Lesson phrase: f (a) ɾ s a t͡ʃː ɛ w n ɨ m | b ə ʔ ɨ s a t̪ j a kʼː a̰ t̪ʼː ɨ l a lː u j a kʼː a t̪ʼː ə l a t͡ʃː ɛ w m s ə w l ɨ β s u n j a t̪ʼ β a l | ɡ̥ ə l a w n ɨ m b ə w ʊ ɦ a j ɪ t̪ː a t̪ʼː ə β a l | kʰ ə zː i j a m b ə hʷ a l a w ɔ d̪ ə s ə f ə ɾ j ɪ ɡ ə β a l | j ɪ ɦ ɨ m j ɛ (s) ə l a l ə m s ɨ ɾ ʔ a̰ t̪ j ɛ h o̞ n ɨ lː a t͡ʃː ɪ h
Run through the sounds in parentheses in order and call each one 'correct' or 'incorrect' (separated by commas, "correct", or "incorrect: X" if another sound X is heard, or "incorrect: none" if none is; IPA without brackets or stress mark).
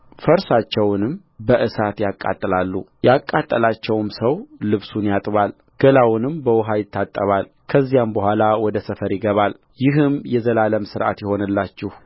incorrect: ə, incorrect: z